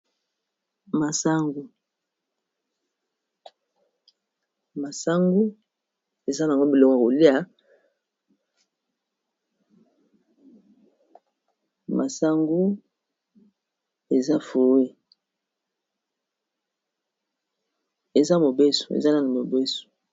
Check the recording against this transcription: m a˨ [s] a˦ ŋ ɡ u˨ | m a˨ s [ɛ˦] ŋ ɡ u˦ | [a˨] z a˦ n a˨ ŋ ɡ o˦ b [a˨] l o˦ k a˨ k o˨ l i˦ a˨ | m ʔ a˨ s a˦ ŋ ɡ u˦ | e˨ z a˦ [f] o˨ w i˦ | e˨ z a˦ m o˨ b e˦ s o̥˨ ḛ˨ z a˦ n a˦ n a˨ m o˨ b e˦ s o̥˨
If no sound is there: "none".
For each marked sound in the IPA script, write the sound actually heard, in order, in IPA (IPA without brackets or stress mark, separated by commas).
s, a˦, e˨, i˨, f